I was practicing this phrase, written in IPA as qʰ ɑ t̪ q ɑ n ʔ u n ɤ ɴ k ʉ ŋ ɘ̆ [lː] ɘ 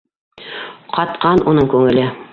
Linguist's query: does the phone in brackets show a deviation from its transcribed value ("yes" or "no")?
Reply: yes